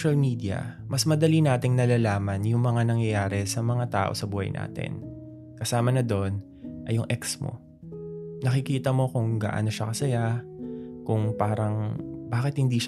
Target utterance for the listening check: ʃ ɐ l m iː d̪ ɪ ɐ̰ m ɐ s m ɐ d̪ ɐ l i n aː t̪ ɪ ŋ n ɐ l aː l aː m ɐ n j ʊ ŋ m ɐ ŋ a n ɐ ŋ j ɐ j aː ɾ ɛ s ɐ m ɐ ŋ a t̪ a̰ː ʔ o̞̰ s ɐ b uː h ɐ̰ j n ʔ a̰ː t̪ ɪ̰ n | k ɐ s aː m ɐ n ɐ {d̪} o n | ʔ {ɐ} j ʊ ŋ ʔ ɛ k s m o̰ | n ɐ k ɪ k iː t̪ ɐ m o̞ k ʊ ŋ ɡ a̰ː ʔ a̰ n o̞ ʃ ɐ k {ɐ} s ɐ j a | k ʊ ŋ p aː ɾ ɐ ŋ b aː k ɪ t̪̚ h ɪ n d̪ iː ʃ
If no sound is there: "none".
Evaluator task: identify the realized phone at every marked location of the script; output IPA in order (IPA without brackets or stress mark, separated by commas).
d̪, ɐ, ɐ